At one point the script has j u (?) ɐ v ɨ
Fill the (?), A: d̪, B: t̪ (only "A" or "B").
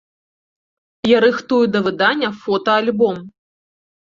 A